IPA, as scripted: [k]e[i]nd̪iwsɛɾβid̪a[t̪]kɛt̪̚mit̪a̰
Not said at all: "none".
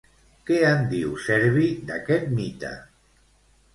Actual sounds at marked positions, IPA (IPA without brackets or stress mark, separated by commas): k, a, none